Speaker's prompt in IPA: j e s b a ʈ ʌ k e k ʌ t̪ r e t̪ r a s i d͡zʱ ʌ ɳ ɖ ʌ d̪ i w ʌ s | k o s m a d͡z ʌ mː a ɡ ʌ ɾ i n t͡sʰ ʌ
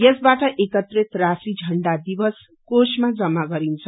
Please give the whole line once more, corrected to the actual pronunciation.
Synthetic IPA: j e s b a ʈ ʌ ʔ e k ʌ t̪ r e t̪ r a s i d͡zʱ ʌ ɳ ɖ a d̪ i b ʌ s | k o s m a d͡z ʌ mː a ɡ ʌ ɾ i n t͡sʰ ʌ